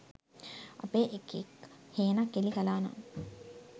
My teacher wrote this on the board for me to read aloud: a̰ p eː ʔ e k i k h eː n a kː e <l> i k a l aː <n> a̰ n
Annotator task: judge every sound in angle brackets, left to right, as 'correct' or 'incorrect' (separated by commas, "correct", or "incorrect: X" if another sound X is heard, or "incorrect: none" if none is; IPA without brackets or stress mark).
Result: correct, correct